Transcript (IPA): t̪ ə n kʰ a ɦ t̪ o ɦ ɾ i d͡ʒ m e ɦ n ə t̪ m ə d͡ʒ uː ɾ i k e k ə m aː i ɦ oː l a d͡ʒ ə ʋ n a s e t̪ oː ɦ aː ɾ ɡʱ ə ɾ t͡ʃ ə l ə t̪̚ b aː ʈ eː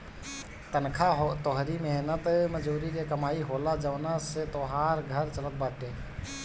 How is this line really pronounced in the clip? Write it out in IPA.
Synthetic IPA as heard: t̪ ə n kʰ a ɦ t̪ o ɦ ɾ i m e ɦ n ə t̪ m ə d͡ʒ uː ɾ i k e k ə m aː i ɦ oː l a d͡ʒ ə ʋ n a s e t̪ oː ɦ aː ɾ ɡʱ ə ɾ t͡ʃ ə l ə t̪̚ b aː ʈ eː

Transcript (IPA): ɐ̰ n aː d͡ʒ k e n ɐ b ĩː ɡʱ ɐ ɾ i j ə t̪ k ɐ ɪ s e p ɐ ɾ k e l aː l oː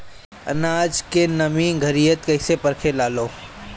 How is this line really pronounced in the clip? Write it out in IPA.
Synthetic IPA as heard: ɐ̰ n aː d͡ʒ k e n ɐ m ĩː ɡʱ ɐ ɾ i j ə t̪ k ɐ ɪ s e p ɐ ɾ kʰ e l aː l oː

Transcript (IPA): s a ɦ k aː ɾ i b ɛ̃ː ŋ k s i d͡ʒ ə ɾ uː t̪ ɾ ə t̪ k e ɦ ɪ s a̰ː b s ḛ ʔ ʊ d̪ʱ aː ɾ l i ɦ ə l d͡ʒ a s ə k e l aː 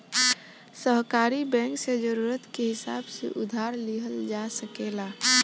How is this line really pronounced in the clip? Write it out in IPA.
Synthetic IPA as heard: s ə ɦ k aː ɾ i b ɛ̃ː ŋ k s e d͡ʒ ə ɾ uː ɾ ə t̪ k e ɦ ɪ s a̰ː b s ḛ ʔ ʊ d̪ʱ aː ɾ l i ɦ ə l d͡ʒ a s ə k e l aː

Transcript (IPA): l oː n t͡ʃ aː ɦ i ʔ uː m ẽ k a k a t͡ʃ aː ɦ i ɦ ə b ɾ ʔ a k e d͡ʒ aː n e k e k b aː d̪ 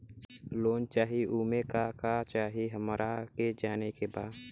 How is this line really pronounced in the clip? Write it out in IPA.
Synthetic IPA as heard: l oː n t͡ʃ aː ɦ i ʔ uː m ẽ k a k a t͡ʃ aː ɦ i ɦ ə m ɾ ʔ a k e d͡ʒ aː n e k e b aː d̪

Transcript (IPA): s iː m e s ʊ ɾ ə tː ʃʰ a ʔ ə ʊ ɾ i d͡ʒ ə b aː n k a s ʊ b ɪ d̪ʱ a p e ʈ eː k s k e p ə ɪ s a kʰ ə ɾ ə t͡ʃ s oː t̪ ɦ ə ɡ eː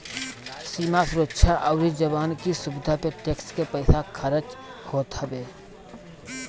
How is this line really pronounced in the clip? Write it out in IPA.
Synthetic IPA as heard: s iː m a s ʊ ɾ ə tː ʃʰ a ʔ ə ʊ ɾ i d͡ʒ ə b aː n k i s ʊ b ɪ d̪ʱ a p e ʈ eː k s k e p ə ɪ s a kʰ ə ɾ ə t͡ʃ h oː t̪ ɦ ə b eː

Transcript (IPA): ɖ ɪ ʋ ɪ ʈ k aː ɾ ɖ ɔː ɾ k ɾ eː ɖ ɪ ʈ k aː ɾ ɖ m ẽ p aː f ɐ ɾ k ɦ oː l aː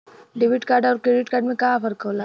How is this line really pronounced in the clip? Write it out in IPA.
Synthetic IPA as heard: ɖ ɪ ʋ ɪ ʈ k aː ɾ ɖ ɔː ɾ k ɾ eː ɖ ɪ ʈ k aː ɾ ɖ m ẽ k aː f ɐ ɾ k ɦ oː l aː

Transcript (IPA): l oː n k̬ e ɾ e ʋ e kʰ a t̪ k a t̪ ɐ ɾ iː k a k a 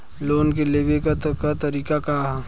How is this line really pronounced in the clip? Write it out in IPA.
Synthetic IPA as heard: l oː n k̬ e l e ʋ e k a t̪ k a t̪ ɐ ɾ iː k a k a

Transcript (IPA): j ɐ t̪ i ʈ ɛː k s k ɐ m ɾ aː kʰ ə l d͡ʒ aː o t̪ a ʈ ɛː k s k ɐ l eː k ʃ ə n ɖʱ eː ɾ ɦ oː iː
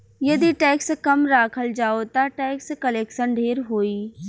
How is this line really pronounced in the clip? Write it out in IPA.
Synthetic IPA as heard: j ɐ d̪ i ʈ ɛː k s k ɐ m ɾ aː kʰ ə l d͡ʒ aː o t̪ a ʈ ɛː k s k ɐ l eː k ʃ ə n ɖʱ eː ɾ ɦ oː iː

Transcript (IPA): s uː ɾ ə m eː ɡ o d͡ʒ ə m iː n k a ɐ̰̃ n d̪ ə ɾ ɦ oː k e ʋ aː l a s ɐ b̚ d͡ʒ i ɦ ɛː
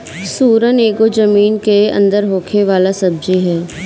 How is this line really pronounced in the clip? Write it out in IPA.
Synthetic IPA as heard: s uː ɾ ə n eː ɡ o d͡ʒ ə m iː n k e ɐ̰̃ n d̪ ə ɾ ɦ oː kʰ e ʋ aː l a s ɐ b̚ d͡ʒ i ɦ ɛː

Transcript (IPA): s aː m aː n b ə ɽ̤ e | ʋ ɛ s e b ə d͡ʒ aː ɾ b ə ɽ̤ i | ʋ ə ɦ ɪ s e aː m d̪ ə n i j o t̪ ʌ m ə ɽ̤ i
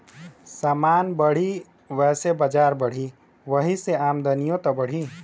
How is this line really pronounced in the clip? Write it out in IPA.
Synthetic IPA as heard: s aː m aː n b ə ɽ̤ i | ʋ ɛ s e b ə d͡ʒ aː ɾ b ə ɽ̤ i | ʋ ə ɦ i s e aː m d̪ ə n i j o t̪ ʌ b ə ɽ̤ i

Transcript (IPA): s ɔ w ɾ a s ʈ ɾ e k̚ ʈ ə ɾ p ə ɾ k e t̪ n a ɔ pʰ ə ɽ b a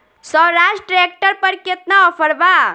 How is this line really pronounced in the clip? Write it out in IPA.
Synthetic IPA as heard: s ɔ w ɾ a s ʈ ɾ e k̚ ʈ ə ɾ p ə ɾ k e t̪ n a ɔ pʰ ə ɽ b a

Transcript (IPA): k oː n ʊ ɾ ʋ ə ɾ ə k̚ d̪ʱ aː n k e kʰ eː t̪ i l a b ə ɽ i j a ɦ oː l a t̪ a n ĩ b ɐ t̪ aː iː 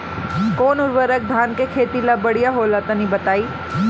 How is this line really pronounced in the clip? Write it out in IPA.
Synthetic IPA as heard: k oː n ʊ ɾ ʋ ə ɾ ə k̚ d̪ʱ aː n k e kʰ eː t̪ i l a b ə ɽ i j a ɦ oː l a t̪ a n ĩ b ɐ t̪ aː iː

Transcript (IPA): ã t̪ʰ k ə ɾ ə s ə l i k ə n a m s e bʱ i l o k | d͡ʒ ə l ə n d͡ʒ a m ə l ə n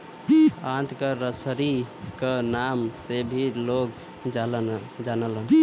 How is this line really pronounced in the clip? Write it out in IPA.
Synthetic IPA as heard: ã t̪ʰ k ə ɾ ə s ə ɾ i k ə n a m s e bʱ i l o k | d͡ʒ a l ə n d͡ʒ a n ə l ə n

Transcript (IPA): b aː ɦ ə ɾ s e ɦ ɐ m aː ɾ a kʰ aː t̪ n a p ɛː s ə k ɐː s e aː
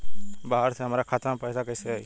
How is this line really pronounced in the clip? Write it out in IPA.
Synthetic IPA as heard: b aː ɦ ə ɾ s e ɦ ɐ m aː ɾ a kʰ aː t̪ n a p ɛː s a k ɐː s e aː

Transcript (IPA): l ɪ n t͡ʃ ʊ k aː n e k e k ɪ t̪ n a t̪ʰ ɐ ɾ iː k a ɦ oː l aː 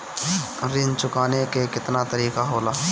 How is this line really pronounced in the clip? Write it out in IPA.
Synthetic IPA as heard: ɾ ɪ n t͡ʃ ʊ k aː n e k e k ɪ t̪ n a t̪ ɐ ɾ iː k a ɦ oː l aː

